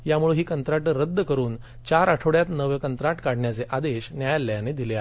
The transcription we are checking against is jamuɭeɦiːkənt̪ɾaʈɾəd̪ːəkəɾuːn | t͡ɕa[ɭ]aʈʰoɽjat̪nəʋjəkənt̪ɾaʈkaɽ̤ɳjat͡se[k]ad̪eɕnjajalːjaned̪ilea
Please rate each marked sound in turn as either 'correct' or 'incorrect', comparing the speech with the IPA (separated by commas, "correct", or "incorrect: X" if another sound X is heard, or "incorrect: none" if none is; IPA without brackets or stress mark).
incorrect: ɾ, incorrect: ʔ